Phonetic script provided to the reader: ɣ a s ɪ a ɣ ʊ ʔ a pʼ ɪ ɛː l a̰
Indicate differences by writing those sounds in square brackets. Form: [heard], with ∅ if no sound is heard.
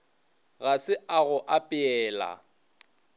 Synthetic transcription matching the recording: ɣ a s ɪ a ɣ ʊ ʔ a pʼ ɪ ɛː l a̰

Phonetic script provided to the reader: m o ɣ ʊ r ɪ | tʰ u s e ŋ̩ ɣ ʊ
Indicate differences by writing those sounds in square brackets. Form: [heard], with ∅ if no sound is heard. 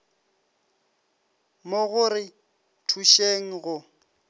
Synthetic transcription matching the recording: m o ɣ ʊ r ɪ | tʰ u [ʃ] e ŋ̩ ɣ ʊ

